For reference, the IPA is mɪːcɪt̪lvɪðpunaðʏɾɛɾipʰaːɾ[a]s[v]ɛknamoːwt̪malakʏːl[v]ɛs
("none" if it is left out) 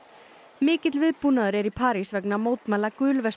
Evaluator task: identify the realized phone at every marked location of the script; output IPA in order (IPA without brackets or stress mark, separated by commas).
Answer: i, v, v